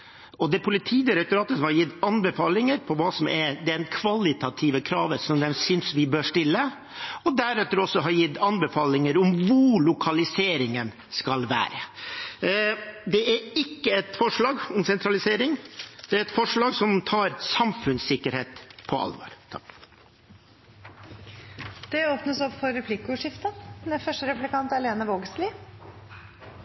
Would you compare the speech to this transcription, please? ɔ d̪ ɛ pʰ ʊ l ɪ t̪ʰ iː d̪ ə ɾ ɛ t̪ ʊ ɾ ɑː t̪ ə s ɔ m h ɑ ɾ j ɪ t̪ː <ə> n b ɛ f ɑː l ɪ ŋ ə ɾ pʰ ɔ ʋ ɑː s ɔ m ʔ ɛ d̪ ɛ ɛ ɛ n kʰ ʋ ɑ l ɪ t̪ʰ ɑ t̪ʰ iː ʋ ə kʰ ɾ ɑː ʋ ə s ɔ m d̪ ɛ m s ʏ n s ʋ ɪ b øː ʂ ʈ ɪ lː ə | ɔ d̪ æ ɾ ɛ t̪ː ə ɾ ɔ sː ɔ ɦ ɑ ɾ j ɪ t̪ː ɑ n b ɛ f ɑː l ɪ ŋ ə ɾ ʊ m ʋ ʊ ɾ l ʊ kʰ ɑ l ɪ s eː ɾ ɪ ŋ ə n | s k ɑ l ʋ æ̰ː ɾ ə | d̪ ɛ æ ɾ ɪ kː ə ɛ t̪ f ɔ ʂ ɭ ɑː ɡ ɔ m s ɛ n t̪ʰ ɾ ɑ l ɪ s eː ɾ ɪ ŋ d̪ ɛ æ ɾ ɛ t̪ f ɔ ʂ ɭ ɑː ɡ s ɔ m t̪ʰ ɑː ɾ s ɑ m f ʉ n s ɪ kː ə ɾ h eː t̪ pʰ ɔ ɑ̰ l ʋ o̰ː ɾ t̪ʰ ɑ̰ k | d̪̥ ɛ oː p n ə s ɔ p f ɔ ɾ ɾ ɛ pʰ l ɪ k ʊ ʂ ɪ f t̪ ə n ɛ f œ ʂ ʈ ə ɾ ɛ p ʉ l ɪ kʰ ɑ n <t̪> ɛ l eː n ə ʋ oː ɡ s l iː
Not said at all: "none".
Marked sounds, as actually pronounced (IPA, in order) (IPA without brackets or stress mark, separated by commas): ɑ, t̪